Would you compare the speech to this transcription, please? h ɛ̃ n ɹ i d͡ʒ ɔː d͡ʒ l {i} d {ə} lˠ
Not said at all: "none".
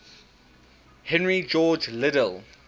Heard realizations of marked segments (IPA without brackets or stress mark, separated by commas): ɪ, ə